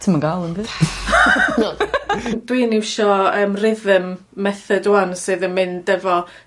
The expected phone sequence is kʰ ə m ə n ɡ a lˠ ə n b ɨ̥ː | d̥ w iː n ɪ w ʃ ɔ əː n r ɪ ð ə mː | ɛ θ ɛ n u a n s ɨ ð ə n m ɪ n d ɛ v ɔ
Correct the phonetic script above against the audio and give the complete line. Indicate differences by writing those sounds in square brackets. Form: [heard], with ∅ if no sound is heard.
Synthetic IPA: [tʰ] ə m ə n ɡ a lˠ ə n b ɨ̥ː | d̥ w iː n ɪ w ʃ ɔ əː [m] r ɪ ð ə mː | ɛ θ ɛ [d] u a n s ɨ ð ə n m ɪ n d ɛ v ɔ